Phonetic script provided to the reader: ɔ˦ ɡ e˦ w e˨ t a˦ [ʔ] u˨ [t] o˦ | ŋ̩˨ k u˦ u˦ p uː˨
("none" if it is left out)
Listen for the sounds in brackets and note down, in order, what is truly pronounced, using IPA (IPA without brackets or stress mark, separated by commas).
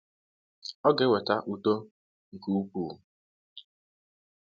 ʔ, t